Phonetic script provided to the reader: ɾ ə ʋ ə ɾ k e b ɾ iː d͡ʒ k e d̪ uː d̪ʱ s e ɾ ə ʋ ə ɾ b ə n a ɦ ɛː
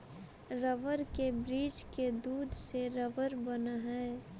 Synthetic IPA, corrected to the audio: ɾ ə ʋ ə ɾ k e b ɾ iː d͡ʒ k e d̪ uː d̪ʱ s e ɾ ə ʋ ə ɾ b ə n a ɦ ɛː